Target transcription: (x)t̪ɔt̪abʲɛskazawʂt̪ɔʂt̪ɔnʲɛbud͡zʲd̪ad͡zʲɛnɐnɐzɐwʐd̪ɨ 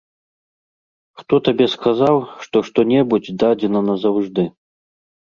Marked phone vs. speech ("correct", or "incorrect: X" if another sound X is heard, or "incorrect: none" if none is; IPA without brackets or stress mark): correct